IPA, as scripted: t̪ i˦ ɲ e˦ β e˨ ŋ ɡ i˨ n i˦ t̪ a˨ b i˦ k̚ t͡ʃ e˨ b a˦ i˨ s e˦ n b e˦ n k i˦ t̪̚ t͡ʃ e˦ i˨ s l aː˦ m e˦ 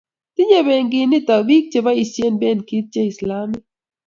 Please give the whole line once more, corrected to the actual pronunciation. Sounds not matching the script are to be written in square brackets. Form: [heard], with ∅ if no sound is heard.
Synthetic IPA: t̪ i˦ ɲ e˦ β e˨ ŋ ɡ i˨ n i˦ t̪ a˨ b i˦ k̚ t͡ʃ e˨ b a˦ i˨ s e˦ n b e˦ n k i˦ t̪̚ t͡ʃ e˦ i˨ s l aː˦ m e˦